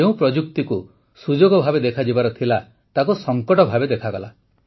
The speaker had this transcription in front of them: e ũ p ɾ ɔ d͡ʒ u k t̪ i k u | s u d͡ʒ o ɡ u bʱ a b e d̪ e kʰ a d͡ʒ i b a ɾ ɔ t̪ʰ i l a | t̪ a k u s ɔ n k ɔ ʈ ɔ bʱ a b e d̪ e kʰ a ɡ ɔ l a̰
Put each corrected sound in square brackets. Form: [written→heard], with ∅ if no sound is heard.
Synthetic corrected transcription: e ũ p ɾ ɔ d͡ʒ u k t̪ i k u | s u d͡ʒ o ɡ [u→ɔ] bʱ a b e d̪ e kʰ a d͡ʒ i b a ɾ ɔ t̪ʰ i l a | t̪ a k u s ɔ [n→ŋ] k ɔ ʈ ɔ bʱ a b e d̪ e kʰ a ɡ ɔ l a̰